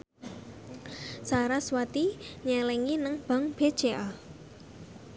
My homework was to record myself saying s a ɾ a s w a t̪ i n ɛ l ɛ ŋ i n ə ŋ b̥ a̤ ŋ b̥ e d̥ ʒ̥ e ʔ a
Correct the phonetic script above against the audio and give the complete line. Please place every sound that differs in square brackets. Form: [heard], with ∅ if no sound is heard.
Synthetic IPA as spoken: s a ɾ a s w a t̪ i [ɲ] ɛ l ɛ ŋ i n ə ŋ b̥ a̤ ŋ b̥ e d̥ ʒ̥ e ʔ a